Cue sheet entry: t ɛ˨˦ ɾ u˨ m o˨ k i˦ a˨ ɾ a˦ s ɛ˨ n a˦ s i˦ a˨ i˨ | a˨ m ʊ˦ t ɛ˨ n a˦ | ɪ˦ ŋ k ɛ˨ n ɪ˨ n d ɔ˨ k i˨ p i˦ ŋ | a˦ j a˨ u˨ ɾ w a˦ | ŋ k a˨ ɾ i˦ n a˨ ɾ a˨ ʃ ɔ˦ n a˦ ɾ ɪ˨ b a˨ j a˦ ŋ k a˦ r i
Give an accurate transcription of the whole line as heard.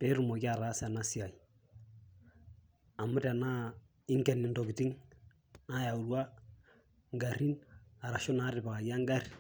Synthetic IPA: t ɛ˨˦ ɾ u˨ m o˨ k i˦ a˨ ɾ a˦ s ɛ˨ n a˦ s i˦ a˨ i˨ | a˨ m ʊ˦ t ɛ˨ n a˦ | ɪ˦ ŋ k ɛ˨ n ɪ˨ n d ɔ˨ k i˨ t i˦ ŋ | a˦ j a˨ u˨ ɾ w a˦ | ŋ ɡ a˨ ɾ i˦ n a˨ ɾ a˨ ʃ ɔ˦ n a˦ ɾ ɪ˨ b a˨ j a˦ ŋ ɡ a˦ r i